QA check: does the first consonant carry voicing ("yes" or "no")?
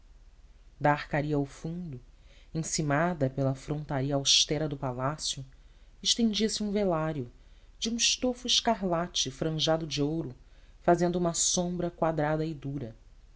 yes